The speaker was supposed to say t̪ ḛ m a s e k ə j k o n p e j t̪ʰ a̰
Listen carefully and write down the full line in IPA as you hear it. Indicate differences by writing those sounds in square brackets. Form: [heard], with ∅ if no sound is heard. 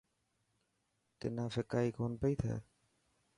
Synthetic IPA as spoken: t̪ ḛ [n] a [f] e k [a] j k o n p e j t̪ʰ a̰